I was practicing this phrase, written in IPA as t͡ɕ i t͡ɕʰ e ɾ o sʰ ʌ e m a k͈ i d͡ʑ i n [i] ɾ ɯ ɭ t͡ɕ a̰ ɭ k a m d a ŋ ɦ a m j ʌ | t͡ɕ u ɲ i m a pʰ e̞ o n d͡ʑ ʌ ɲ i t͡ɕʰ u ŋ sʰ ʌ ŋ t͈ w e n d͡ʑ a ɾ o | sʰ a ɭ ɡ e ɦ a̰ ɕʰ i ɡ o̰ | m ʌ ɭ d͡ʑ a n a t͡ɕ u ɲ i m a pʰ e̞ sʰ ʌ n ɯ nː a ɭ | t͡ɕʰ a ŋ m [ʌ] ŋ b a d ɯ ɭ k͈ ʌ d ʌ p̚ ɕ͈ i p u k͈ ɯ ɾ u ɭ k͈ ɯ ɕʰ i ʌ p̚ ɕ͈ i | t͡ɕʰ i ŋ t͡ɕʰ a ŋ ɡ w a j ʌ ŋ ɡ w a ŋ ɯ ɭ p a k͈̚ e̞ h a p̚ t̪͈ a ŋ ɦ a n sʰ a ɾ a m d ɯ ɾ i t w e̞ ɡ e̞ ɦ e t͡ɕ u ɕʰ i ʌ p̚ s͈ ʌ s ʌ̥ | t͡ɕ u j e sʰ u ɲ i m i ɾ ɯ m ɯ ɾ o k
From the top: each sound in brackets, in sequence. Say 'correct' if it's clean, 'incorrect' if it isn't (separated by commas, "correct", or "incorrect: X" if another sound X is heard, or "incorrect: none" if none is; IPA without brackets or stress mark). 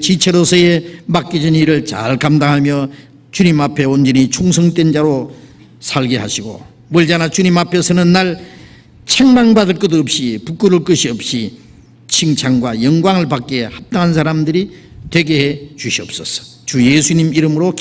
correct, incorrect: a